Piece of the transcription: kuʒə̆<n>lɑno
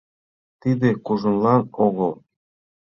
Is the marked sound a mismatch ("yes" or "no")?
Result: no